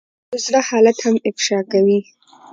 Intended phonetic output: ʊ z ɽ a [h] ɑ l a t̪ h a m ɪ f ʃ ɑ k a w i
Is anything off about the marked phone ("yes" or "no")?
no